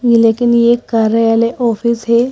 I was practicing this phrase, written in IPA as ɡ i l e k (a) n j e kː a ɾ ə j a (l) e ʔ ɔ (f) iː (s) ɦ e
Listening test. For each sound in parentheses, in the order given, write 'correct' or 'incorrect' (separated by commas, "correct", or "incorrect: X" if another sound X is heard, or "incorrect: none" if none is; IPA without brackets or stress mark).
incorrect: i, correct, correct, correct